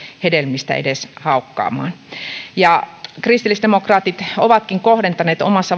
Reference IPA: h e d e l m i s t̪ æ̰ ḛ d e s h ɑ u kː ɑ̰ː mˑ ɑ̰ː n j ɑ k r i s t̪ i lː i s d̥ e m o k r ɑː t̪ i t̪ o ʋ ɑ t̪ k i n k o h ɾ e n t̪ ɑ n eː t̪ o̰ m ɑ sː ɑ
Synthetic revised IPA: h e d e l m i s t̪ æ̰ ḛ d e s h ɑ u kː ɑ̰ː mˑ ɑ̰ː n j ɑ k r i s t̪ i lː i s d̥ e m o k r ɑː t̪ i t̪ o ʋ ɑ t̪ k i ŋ k o h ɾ e n t̪ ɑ n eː t̪ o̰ m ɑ sː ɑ